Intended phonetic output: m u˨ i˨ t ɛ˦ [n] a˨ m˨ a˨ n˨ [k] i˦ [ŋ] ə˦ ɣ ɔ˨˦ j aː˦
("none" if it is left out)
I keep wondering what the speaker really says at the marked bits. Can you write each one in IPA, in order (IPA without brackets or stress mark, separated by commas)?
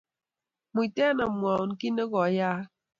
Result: n, k, n